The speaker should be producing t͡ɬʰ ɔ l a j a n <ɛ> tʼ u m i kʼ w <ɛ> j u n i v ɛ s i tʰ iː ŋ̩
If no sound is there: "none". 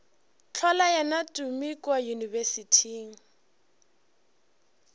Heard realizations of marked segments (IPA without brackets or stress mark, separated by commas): a, a